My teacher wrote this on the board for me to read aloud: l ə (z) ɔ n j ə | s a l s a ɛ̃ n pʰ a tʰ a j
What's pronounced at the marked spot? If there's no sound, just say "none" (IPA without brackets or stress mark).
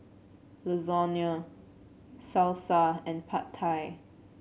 z